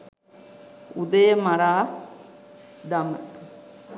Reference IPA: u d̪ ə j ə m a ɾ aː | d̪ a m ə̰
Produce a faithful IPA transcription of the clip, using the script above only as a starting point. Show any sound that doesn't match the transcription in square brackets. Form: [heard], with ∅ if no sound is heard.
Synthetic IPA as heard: u d̪ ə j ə m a ɾ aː | d̪ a m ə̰